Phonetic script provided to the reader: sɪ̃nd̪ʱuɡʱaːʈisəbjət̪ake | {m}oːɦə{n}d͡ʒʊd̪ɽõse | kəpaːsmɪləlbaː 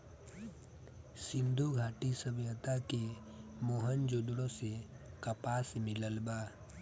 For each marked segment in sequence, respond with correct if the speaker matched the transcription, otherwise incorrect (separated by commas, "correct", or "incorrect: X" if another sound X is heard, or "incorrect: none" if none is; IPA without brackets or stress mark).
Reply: correct, correct